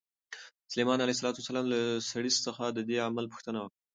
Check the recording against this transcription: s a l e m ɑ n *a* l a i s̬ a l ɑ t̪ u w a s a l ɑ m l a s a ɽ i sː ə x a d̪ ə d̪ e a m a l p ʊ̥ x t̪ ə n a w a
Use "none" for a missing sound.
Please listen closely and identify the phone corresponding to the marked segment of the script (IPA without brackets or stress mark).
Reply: a